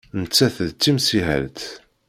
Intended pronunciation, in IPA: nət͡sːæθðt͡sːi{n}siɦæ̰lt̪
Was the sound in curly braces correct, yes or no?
no